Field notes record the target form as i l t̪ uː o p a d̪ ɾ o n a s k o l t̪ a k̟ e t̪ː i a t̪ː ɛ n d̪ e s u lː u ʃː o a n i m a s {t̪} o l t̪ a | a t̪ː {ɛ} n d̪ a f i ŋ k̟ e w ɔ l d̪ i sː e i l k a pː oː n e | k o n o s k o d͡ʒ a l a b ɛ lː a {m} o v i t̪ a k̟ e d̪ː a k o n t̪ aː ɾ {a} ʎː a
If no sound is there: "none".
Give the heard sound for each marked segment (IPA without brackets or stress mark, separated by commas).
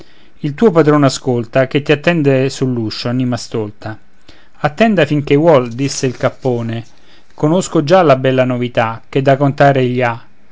t̪, ɛ, n, e